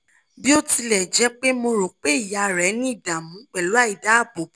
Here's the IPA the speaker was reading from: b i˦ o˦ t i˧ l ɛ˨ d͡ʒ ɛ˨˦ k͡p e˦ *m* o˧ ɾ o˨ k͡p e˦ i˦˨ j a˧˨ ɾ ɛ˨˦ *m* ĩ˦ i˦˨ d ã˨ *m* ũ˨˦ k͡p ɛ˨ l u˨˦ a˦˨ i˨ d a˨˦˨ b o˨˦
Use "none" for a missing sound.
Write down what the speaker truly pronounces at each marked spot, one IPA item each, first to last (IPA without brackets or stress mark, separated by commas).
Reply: m, n, m